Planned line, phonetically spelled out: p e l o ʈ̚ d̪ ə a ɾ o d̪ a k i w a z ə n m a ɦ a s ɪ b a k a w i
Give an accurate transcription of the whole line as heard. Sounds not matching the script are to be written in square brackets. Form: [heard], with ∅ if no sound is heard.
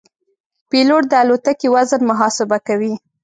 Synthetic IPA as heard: p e l o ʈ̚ d̪ ə a [l] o [t̪] a k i w a z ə n m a ɦ [ɑ] s ɪ b a k a w i